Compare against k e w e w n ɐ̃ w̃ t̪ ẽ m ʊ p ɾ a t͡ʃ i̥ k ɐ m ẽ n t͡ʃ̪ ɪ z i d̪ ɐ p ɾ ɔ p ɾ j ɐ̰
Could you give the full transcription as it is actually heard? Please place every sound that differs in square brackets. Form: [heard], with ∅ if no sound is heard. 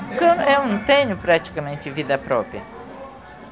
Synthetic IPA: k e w e w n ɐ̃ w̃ t̪ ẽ [ɲ] ʊ p ɾ a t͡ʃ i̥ k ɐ m ẽ n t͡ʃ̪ ɪ [v] i d̪ ɐ p ɾ ɔ p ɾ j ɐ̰

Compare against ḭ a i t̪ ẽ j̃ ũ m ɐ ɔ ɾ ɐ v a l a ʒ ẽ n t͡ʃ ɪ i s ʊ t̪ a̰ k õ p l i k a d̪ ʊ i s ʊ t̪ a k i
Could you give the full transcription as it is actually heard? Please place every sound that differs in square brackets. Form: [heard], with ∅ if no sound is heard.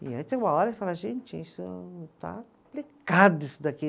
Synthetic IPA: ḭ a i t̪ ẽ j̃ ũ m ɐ ɔ ɾ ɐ [f] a l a ʒ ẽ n t͡ʃ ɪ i s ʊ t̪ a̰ k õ p l i k a d̪ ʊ i s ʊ [d̪] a k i

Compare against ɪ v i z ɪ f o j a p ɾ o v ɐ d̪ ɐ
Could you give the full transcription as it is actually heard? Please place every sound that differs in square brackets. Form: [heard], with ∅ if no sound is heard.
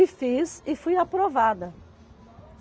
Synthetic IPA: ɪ [f] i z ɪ f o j a p ɾ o v [a] d̪ ɐ

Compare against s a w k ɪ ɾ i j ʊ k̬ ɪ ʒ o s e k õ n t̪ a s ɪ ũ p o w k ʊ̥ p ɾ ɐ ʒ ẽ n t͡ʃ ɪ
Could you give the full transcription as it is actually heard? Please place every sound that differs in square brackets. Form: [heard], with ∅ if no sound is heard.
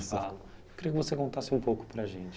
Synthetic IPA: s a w k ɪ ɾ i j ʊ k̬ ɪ [v] o s e k õ n t̪ a s ɪ ũ p o w k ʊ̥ p ɾ ɐ ʒ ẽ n t͡ʃ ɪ

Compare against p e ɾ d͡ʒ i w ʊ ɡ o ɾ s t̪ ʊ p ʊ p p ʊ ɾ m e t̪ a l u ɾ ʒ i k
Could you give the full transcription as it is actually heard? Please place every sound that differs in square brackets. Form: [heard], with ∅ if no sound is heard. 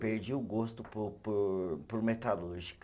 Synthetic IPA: p e ɾ d͡ʒ i w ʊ ɡ o [∅] s t̪ ʊ p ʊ p p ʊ ɾ m e t̪ a l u ɾ ʒ i k

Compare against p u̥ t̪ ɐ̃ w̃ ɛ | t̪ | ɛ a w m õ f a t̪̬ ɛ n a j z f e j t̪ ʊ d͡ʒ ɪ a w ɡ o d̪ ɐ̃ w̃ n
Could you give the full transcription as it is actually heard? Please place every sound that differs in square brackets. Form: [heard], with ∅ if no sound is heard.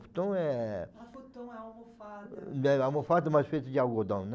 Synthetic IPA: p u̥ t̪ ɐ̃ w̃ ɛ | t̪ | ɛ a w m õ f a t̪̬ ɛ [m] a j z f e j t̪ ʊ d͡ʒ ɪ a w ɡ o d̪ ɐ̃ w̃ n

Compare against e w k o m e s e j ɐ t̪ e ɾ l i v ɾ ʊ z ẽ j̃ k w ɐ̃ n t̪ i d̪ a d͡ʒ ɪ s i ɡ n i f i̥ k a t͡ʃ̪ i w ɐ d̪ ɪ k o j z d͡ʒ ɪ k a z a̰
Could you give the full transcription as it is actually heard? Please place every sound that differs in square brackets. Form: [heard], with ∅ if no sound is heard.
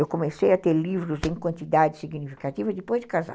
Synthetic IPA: e w k o m e s e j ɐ t̪ e ɾ l i v ɾ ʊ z ẽ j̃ k w ɐ̃ n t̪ i d̪ a d͡ʒ ɪ s i ɡ n i f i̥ k a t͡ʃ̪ i [v] ɐ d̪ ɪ [p] o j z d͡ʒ ɪ k a z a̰

